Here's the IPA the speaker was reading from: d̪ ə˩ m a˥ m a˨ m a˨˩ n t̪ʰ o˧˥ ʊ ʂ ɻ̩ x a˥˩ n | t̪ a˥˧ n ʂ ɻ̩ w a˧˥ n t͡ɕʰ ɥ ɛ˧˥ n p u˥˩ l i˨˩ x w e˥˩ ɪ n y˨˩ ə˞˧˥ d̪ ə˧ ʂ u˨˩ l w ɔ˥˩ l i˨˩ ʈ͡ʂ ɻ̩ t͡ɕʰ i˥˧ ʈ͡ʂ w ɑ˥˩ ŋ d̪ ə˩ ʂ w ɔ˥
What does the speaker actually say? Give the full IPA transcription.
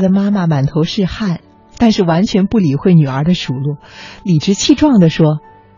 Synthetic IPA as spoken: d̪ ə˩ m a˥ m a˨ m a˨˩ n t̪ʰ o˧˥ ʊ ʂ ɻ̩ x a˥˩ n | t̪ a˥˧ n ʂ ɻ̩ w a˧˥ n t͡ɕʰ ɥ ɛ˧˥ n p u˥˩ l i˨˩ x w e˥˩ ɪ n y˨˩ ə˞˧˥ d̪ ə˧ ʂ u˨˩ l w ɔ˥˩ l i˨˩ ʈ͡ʂ ɻ̩ t͡ɕʰ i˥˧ ʈ͡ʂ w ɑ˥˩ ŋ d̪ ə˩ ʂ w ɔ˥